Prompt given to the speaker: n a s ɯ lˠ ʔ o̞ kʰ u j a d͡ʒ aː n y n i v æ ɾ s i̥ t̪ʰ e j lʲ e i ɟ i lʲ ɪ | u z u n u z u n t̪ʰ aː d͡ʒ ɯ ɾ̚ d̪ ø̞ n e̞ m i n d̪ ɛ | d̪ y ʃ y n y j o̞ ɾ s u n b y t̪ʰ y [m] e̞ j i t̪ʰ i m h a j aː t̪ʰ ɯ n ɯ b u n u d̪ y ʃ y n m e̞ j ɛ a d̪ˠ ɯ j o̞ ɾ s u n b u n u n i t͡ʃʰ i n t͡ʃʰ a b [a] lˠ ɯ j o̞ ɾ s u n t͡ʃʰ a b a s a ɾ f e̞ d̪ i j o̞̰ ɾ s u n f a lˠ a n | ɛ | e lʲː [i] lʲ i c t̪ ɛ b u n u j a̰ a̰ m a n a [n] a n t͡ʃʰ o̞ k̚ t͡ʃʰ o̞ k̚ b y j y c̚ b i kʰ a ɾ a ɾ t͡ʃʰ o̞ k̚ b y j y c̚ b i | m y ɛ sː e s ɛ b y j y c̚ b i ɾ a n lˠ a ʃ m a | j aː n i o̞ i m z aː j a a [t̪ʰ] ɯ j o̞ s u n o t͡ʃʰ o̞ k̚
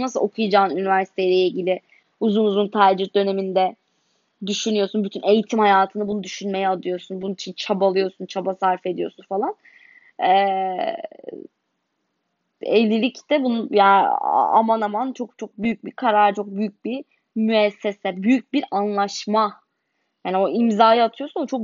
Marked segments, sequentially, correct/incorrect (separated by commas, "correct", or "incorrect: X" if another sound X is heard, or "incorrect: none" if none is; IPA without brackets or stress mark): incorrect: n, correct, correct, incorrect: m, correct